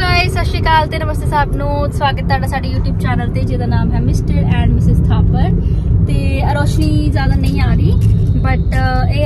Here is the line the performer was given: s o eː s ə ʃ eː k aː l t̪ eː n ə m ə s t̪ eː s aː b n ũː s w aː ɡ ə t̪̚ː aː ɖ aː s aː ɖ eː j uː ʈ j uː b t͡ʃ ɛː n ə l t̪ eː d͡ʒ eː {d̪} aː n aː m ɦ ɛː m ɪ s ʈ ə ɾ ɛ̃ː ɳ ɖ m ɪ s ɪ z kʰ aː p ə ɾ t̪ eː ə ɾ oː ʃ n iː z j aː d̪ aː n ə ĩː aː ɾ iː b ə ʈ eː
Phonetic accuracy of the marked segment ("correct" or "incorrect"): correct